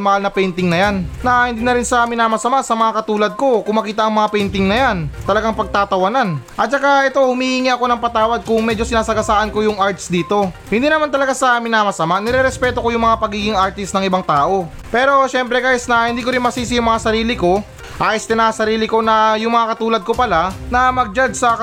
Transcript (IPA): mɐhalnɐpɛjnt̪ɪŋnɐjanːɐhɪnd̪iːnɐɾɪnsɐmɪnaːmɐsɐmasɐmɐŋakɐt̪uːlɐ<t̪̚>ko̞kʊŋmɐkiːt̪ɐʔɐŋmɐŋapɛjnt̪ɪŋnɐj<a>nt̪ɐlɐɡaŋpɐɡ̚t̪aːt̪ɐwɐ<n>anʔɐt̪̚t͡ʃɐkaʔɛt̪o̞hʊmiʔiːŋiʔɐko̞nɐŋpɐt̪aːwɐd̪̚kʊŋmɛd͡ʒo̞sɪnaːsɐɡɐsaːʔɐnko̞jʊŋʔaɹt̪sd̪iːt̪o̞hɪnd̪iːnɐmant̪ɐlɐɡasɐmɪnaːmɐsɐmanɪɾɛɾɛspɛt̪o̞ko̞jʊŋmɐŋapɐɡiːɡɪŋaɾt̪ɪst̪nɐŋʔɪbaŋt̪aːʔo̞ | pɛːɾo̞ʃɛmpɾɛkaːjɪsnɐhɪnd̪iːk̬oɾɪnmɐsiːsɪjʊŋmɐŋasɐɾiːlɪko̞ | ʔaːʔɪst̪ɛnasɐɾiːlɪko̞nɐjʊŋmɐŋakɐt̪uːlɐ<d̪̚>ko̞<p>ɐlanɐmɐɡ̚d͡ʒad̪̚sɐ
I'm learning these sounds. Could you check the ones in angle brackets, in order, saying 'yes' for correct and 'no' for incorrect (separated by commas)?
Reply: no, yes, yes, yes, yes